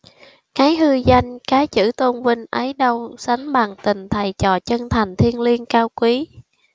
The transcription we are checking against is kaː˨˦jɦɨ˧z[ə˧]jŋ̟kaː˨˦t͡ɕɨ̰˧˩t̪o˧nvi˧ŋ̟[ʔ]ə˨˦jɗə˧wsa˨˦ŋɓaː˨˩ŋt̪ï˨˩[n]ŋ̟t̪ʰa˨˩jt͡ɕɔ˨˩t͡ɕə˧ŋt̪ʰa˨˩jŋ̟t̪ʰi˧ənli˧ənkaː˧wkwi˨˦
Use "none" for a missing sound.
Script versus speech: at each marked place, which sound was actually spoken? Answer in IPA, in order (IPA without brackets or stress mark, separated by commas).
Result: a˧, ʔ, none